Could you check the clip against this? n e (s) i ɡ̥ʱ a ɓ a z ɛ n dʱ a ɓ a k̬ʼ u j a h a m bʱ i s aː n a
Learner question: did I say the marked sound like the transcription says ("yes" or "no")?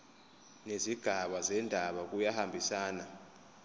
no